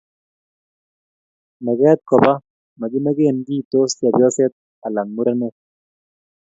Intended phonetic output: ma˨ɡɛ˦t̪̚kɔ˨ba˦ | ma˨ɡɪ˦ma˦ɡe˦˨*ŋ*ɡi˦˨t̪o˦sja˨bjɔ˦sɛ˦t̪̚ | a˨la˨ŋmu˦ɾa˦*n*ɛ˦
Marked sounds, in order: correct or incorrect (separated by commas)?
incorrect, correct